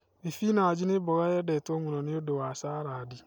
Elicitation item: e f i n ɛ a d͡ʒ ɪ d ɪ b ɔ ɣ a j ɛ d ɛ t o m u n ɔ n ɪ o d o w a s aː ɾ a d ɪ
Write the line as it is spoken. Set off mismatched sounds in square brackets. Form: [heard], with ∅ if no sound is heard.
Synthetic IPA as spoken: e f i n [a] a d͡ʒ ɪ [n] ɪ b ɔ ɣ a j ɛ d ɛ t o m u n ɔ n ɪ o d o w a s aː ɾ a d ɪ

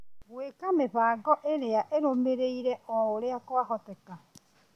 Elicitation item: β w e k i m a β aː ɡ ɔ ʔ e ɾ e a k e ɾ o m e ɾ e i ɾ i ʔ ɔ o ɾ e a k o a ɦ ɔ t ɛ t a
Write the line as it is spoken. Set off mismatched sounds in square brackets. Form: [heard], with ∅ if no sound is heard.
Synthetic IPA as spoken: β w e k [a] m [e] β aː ɡ ɔ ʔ e ɾ e a [ʔ] e ɾ o m e ɾ e i ɾ [ɛ] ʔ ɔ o ɾ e a k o a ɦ ɔ t ɛ [k] a

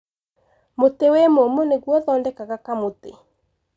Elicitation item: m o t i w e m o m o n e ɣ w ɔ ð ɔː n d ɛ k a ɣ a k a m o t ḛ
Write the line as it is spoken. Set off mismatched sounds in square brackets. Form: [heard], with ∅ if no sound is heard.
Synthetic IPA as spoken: m o t [e] w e m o m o n e ɣ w ɔ ð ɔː n d ɛ k a ɣ a k a m o t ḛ

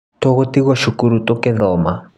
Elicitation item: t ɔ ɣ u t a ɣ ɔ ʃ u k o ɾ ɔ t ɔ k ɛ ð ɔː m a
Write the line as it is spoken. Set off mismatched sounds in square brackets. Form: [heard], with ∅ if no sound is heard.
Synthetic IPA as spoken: t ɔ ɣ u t [i] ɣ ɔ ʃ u k [u] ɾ [u] t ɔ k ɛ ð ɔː m a

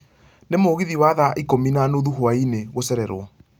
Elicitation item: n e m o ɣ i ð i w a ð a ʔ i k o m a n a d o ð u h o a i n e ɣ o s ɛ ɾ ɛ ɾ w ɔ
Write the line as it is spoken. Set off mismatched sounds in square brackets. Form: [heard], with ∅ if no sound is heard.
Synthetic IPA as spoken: n e m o ɣ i ð i w a ð a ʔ i k o m [i] n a [n] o ð u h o a i n e ɣ o s ɛ ɾ ɛ ɾ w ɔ

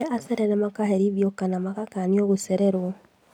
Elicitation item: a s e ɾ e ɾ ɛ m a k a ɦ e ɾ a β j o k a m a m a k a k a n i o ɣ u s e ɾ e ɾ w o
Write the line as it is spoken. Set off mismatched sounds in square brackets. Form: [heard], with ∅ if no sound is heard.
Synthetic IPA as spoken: a s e ɾ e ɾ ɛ m a k a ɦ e ɾ [i] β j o k a [n] a m a k a k a n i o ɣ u s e ɾ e ɾ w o

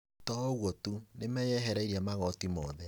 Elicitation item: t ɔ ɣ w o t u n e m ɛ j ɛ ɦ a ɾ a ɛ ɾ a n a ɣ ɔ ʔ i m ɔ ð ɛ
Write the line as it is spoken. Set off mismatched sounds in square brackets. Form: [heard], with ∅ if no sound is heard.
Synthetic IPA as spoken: t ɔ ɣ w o t u n e m ɛ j ɛ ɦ [ɛ] ɾ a [i] ɾ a [m] a ɣ ɔ [t] i m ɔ ð ɛ

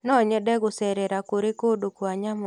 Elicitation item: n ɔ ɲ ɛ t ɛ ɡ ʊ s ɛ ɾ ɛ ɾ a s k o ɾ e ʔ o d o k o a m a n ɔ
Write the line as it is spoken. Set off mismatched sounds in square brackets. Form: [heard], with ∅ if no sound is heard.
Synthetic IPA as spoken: n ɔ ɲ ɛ [d] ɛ ɡ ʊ s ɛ ɾ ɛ ɾ a [∅] k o ɾ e [k] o d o k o a [ɲ] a [m] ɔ

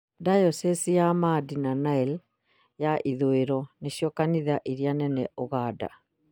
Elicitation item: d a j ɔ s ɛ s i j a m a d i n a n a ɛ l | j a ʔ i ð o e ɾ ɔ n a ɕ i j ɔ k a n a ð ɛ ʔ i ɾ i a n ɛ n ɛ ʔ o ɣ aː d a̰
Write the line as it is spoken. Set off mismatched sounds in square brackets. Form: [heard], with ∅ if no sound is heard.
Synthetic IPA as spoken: d a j ɔ s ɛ s i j a m a d i n a n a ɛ l | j a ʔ i ð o e ɾ ɔ n [e] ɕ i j ɔ k a n [i] ð [a] ʔ i ɾ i a n ɛ n ɛ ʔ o ɣ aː d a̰

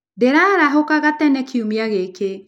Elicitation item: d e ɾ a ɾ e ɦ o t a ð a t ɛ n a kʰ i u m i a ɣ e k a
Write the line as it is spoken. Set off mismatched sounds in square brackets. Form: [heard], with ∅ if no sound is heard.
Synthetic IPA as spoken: d e ɾ a ɾ [a] ɦ o [k] a [ɣ] a t ɛ n [ɛ] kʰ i u m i a ɣ e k [e]

